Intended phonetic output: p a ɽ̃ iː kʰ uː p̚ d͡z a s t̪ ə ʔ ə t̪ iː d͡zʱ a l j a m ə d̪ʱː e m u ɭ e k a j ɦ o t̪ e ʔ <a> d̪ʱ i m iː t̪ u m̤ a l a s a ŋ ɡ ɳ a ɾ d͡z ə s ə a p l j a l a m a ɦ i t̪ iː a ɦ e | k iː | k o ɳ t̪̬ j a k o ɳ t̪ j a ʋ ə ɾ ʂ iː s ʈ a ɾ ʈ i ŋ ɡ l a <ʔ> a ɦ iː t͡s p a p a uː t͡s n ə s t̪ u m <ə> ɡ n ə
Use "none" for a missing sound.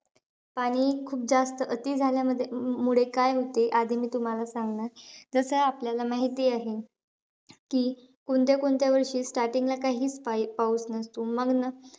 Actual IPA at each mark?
a, k, ə

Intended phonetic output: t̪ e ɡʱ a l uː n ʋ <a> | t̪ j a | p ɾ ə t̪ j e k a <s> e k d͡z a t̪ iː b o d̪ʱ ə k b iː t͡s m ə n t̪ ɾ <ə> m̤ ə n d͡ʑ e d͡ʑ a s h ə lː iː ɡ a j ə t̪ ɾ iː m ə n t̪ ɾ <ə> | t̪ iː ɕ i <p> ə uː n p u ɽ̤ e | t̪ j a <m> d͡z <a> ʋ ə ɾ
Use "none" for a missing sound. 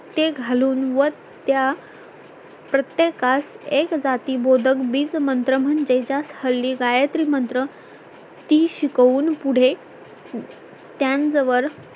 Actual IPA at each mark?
ə, s, ə, ə, k, n, ə

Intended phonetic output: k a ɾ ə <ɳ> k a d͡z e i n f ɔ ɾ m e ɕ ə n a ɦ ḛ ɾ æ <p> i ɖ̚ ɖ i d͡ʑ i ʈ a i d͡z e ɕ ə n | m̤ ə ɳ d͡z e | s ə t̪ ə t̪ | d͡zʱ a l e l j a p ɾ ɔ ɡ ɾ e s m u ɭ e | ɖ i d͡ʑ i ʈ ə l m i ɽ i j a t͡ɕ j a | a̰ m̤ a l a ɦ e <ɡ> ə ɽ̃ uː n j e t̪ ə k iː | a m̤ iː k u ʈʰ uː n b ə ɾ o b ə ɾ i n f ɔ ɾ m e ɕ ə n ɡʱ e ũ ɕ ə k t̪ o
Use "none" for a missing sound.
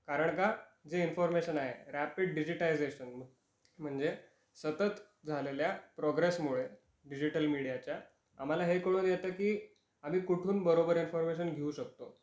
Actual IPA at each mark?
ɳ, p, k

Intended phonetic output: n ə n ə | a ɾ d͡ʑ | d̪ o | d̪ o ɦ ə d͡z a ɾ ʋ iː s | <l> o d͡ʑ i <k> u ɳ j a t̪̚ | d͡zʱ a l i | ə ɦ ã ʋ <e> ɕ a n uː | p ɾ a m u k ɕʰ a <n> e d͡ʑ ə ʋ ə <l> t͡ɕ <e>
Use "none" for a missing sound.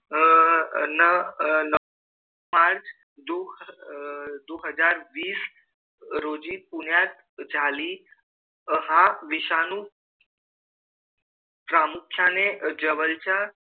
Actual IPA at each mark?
ɾ, p, i, n, l, a

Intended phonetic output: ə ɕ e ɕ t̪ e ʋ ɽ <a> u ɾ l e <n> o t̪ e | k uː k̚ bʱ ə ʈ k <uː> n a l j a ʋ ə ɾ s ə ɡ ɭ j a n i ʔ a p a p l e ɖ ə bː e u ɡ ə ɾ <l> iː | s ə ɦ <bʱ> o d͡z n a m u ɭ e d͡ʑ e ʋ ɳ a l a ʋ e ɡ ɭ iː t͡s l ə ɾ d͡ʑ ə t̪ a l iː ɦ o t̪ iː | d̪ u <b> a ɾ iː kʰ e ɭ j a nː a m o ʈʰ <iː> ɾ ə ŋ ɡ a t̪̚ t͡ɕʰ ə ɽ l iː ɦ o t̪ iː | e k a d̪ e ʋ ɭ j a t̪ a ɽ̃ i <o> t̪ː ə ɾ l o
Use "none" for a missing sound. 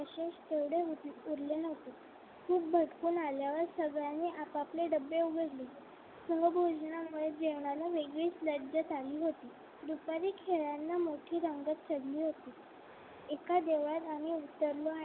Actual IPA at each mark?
e, n, uː, l, bʱ, p, iː, u

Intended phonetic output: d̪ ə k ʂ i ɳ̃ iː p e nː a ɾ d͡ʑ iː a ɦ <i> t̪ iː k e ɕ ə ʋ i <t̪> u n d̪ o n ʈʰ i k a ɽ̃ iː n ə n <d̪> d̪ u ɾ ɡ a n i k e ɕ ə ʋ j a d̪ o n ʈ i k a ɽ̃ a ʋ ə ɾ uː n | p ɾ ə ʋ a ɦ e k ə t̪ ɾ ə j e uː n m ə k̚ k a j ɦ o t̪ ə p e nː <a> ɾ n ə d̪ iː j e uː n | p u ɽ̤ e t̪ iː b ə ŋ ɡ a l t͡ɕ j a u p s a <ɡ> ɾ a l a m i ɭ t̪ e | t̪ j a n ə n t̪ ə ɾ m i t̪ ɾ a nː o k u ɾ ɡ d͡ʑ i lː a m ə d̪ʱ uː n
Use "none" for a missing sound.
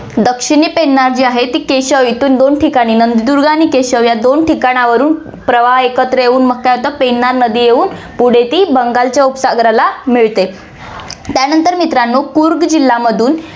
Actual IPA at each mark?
e, t̪, d̪, a, ɡ

